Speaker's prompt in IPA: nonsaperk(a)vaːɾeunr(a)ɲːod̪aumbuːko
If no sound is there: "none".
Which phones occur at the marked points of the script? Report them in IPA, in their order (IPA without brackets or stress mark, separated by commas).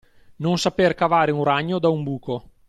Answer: a, a